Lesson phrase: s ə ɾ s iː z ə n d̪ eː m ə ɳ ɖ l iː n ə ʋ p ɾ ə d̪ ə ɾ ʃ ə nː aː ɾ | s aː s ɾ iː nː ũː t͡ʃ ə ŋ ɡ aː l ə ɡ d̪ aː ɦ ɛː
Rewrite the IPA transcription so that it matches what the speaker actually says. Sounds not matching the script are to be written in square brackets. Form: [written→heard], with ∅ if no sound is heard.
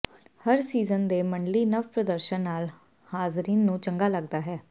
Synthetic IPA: [s→h] ə ɾ s iː z ə n d̪ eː m ə ɳ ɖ l iː n ə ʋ p ɾ ə d̪ ə ɾ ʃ ə nː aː [ɾ→l] | [s→h] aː [s→z] ɾ iː nː ũː t͡ʃ ə ŋ ɡ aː l ə ɡ d̪ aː ɦ ɛː